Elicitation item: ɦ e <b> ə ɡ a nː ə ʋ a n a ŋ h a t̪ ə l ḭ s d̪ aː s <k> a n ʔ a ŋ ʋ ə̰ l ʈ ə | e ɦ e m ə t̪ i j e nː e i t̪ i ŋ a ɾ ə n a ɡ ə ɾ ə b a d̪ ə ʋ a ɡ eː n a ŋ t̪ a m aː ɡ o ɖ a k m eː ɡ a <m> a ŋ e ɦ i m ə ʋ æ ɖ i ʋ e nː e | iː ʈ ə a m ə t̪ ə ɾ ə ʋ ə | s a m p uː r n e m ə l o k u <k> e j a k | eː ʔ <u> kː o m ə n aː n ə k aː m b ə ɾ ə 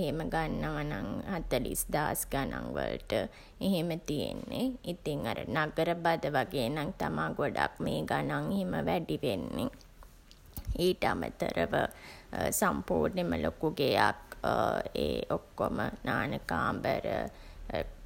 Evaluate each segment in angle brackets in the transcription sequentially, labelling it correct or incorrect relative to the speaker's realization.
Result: incorrect: m, incorrect: ɡ, incorrect: n, incorrect: ɡ, incorrect: o

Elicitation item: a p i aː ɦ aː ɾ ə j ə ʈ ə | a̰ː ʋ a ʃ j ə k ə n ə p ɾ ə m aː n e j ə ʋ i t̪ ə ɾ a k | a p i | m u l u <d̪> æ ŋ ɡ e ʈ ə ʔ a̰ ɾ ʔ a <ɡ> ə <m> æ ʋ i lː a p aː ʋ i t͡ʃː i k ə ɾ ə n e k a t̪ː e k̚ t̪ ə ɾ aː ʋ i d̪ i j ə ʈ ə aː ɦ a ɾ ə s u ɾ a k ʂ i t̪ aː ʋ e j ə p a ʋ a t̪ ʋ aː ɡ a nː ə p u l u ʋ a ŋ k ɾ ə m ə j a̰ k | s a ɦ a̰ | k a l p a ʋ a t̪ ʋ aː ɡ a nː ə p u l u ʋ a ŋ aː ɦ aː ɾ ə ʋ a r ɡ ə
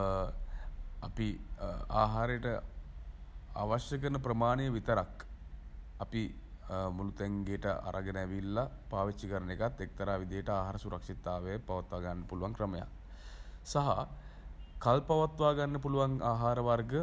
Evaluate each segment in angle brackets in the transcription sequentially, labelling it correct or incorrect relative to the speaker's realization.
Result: incorrect: t̪, correct, incorrect: n

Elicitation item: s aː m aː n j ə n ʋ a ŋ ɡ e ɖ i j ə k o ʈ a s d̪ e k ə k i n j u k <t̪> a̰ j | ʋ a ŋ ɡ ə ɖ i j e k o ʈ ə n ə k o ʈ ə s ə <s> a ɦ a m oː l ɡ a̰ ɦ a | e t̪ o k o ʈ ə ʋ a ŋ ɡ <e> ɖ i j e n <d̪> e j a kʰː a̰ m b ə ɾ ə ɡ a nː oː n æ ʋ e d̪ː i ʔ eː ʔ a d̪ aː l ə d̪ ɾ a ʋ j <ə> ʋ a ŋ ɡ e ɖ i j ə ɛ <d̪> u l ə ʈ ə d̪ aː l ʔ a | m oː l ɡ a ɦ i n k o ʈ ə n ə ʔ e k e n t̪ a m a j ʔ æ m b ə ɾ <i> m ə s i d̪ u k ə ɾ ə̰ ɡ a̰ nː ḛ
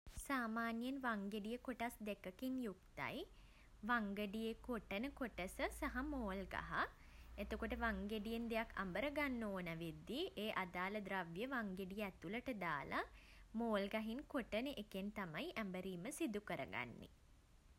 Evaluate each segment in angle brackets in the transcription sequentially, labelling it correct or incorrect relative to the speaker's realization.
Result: correct, correct, correct, correct, correct, incorrect: t̪, incorrect: iː

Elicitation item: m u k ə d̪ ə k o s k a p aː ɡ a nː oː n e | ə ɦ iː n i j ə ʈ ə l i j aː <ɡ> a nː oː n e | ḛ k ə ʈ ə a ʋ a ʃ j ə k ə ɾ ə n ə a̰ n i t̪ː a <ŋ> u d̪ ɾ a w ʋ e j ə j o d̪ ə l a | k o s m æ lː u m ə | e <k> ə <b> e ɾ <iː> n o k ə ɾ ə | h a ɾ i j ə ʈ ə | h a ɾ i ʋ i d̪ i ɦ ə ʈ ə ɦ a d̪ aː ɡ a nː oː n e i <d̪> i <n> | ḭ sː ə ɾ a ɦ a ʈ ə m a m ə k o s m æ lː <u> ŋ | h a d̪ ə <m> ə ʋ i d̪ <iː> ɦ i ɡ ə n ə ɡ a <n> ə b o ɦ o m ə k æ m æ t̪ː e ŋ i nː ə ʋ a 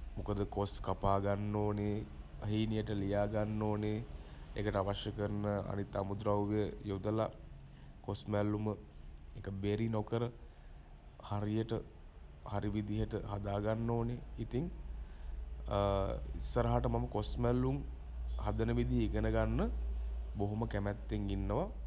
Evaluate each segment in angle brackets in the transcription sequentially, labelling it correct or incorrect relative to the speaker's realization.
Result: correct, incorrect: m, correct, correct, incorrect: i, incorrect: t̪, incorrect: ŋ, correct, incorrect: n, incorrect: i, incorrect: nː

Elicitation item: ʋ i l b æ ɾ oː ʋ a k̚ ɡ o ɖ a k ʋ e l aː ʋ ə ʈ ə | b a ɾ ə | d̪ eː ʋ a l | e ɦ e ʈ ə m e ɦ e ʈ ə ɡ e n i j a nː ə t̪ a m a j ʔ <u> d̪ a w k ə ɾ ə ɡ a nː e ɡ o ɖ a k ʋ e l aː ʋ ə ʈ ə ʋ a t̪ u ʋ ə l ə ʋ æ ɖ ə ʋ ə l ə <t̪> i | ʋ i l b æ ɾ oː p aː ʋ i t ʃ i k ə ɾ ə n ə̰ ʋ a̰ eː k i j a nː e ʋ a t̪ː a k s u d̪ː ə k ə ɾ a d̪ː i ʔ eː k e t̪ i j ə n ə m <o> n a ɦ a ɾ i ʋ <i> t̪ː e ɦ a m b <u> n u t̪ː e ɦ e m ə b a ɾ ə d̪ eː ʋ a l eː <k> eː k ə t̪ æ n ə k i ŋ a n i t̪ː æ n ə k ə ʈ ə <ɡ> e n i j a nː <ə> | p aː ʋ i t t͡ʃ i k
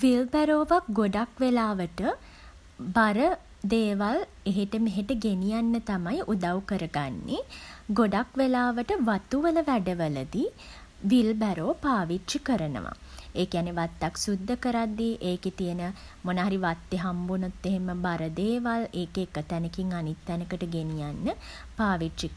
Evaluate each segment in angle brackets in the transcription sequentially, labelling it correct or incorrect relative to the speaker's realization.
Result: correct, incorrect: d̪, correct, incorrect: a, correct, correct, correct, correct

